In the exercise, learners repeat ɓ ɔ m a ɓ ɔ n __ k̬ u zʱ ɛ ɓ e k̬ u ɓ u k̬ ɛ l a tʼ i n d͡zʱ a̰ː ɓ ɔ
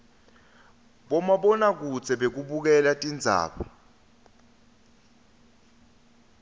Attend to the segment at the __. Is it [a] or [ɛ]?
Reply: a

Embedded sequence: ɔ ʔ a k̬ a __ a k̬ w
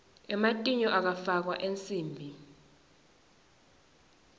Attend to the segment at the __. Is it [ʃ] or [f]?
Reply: f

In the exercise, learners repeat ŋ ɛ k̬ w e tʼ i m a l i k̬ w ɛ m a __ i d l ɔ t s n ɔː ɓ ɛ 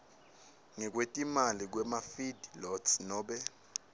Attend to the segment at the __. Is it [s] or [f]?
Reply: f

